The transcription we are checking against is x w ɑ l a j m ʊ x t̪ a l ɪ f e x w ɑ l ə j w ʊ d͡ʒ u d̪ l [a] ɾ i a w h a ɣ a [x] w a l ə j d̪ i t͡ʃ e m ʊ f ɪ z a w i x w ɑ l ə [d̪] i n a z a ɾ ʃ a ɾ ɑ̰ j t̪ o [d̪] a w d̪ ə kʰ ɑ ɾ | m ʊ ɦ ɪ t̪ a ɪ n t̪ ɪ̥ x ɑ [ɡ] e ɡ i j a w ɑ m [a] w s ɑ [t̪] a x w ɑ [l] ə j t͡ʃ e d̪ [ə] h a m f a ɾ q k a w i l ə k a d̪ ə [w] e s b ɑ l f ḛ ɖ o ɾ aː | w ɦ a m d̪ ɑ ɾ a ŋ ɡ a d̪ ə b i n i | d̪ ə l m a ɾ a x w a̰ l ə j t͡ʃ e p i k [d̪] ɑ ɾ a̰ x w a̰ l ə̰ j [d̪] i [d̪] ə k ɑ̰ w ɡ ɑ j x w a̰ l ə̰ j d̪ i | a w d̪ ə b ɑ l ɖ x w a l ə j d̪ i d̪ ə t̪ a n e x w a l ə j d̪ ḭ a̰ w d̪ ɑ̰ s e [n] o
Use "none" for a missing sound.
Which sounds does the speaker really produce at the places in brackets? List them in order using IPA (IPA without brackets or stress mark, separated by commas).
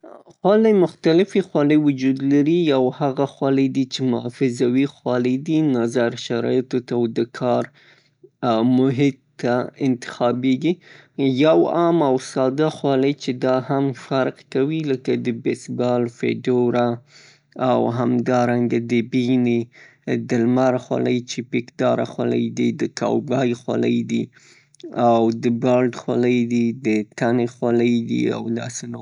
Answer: a, x, d̪, t̪, b, a, d̪, l, ɑ, b, d̪, d̪, d̪, n